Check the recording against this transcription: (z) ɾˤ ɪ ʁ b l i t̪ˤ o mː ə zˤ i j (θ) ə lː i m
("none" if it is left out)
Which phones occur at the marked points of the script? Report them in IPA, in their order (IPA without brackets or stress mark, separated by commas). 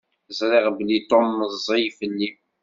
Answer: z, f